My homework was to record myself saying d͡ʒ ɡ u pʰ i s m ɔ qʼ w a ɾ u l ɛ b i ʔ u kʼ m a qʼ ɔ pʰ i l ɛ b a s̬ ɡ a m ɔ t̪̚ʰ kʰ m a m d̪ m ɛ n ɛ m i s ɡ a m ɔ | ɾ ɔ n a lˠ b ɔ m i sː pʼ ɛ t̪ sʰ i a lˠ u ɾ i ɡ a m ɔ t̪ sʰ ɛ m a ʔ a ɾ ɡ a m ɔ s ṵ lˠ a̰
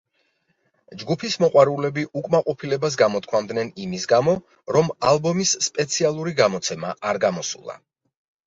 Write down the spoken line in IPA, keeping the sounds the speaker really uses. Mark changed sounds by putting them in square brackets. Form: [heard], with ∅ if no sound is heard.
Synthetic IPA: d͡ʒ ɡ u pʰ i s m ɔ qʼ w a ɾ u l ɛ b i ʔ u kʼ m a qʼ ɔ pʰ i l ɛ b a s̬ ɡ a m ɔ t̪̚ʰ kʰ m a m d̪ [n] ɛ n [i] m i s ɡ a m ɔ | ɾ ɔ [m] a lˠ b ɔ m i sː pʼ ɛ t̪ sʰ i a lˠ u ɾ i ɡ a m ɔ t̪ sʰ ɛ m a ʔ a ɾ ɡ a m ɔ s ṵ lˠ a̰